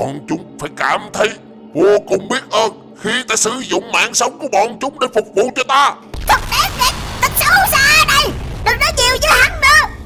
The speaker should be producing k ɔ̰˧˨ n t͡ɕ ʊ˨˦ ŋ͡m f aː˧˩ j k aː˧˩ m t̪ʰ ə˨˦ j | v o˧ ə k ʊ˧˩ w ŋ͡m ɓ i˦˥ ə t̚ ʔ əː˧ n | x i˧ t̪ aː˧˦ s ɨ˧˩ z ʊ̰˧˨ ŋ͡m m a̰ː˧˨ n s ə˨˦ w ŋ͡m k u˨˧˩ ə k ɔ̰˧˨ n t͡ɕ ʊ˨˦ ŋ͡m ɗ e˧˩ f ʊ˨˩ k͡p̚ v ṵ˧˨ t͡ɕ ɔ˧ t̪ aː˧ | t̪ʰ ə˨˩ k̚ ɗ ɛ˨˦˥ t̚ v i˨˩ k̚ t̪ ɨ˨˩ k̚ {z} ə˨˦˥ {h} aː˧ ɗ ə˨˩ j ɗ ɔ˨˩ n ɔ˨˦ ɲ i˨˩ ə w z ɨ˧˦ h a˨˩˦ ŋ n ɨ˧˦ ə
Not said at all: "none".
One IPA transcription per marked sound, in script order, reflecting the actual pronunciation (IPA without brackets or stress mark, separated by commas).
s, s